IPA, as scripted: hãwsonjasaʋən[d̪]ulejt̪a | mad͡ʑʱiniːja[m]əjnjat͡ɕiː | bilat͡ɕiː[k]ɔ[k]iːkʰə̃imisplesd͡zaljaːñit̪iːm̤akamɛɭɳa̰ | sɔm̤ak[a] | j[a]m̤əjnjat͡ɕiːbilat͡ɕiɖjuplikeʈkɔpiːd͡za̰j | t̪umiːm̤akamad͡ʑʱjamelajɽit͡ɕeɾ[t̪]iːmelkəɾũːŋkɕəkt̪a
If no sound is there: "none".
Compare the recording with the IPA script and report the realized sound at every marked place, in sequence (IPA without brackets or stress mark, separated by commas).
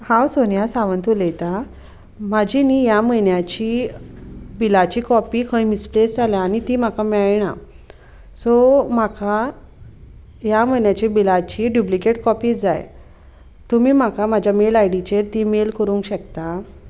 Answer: t̪, m, k, p, a, a, t̪